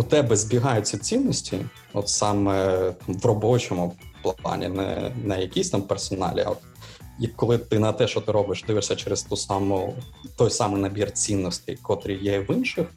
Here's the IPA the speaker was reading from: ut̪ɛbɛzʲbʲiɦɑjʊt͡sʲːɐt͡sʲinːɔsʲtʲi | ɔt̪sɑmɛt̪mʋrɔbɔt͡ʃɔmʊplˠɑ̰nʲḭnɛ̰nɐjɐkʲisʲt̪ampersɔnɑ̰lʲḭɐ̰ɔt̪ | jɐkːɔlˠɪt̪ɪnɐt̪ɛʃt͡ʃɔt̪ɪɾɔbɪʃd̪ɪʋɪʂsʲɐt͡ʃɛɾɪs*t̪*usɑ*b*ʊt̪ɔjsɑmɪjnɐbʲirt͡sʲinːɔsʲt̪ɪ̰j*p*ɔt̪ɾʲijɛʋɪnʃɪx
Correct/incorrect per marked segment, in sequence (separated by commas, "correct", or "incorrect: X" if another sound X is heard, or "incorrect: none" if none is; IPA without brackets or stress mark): correct, incorrect: m, incorrect: k